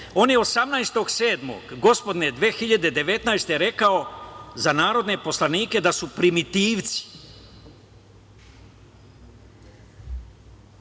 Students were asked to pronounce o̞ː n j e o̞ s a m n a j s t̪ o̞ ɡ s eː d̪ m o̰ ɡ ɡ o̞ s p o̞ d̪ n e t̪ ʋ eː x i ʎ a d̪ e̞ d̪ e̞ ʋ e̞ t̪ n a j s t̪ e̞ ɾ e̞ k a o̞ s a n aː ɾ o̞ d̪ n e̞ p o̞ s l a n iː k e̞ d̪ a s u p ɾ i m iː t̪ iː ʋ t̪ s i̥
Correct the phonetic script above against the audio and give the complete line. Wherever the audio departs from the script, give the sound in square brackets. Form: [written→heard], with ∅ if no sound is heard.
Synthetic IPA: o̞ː n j e o̞ s a m n a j s t̪ o̞ ɡ s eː d̪ m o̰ ɡ ɡ o̞ s p o̞ d̪ n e [t̪→d̪] ʋ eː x i ʎ a d̪ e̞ d̪ e̞ ʋ e̞ t̪ n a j s t̪ e̞ ɾ e̞ k a o̞ [s→z] a n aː ɾ o̞ d̪ n e̞ p o̞ s l a n iː k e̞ d̪ a s u p ɾ i m [iː→i] t̪ iː ʋ t̪ s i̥